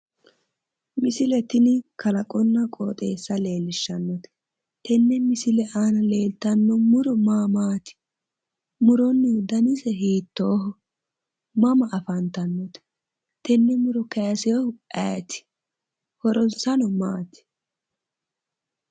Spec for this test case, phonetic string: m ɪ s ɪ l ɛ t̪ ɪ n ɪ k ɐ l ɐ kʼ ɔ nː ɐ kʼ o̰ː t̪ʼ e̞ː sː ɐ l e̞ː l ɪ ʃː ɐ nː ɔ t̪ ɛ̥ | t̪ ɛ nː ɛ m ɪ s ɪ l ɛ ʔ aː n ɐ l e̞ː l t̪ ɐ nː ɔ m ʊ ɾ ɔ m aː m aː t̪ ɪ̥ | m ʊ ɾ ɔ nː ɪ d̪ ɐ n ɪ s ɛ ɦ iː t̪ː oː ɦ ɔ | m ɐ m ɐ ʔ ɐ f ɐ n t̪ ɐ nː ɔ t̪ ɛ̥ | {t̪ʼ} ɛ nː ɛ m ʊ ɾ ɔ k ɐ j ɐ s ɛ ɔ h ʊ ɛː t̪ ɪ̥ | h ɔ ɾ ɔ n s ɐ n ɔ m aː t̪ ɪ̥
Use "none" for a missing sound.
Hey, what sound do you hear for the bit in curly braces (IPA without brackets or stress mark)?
t̪